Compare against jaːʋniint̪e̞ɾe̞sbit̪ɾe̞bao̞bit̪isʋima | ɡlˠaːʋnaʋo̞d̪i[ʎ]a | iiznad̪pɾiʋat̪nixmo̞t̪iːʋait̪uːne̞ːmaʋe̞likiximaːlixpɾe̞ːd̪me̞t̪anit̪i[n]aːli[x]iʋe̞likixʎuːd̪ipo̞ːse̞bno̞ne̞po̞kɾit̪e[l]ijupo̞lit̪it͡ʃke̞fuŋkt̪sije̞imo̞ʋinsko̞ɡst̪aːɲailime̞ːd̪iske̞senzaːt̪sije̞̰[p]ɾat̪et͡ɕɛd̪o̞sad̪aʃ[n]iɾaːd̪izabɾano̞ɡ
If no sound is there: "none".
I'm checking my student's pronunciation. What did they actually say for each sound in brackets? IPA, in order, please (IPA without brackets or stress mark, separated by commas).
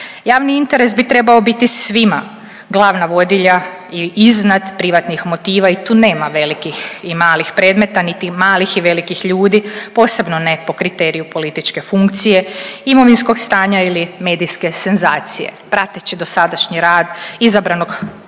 ʎ, m, x, ɾ, p, ɲ